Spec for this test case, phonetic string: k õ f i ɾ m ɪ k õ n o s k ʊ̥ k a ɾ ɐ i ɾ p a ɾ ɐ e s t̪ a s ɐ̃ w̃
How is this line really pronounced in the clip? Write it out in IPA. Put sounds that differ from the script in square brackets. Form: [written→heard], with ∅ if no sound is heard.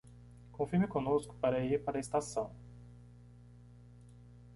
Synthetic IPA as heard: k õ f i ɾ m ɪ k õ n o s k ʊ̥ [k→p] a ɾ ɐ i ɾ p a ɾ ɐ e s t̪ a s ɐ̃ w̃